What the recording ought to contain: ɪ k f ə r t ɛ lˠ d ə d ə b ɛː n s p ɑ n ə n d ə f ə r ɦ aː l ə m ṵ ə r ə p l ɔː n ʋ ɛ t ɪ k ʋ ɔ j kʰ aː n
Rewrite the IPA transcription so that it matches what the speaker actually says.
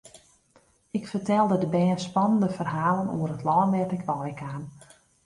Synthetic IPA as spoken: ɪ k f ə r t ɛ lˠ d ə d ə b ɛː n s p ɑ n ə n d ə f ə r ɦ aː l ə n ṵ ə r ə t l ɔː n ʋ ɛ t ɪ k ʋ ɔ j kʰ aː n